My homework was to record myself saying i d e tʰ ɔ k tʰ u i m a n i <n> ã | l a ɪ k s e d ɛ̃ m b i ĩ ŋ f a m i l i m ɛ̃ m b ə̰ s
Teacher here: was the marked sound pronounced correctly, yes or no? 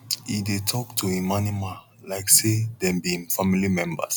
no